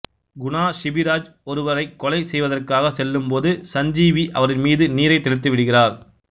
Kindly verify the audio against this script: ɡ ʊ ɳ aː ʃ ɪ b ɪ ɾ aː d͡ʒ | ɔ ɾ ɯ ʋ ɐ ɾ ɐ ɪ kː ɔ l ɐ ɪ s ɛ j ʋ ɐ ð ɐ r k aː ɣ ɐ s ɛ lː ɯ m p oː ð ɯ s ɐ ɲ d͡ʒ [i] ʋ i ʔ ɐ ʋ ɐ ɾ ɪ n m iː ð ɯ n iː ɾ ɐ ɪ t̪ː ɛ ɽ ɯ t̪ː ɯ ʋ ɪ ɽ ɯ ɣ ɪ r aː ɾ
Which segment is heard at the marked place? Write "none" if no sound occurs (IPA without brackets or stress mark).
iː